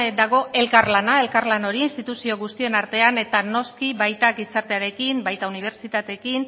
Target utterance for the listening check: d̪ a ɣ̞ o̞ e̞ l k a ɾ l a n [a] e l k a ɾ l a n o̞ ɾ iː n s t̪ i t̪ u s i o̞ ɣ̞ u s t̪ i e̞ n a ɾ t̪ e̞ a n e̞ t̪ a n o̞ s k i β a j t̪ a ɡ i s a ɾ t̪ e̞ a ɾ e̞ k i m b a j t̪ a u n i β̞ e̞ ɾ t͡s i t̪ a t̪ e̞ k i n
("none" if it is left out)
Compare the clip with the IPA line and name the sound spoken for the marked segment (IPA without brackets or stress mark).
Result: a